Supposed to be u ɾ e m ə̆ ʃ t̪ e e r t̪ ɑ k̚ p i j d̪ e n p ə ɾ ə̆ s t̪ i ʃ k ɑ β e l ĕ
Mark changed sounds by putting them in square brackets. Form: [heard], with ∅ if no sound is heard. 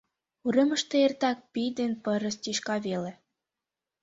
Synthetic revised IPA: u ɾ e m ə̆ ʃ t̪ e e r t̪ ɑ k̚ p i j d̪ e n p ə ɾ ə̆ s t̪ i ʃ k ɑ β e l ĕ

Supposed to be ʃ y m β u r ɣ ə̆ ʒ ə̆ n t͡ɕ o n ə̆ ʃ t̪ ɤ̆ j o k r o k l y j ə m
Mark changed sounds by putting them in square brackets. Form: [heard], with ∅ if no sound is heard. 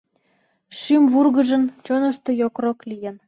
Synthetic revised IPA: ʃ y m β u r ɣ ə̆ ʒ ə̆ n t͡ɕ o n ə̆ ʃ t̪ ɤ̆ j o k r o k l [i] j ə [n]

